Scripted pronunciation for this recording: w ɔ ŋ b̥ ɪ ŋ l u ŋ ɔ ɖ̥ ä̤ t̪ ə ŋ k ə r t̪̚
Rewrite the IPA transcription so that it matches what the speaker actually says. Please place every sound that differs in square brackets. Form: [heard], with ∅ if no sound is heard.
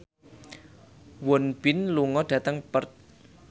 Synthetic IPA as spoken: w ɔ [n] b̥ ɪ [n] l u ŋ ɔ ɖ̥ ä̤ t̪ ə ŋ [p] ə r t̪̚